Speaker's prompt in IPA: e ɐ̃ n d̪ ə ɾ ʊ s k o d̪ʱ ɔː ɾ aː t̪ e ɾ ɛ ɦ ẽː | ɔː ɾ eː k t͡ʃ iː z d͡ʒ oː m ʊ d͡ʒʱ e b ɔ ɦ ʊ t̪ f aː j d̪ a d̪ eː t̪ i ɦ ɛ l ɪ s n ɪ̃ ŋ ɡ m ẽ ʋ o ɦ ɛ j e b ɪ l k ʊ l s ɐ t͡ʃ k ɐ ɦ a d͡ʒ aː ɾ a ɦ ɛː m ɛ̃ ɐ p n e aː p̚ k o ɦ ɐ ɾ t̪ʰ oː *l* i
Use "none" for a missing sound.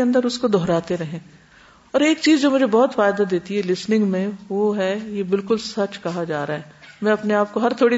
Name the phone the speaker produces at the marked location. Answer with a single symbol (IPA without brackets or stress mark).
ɽ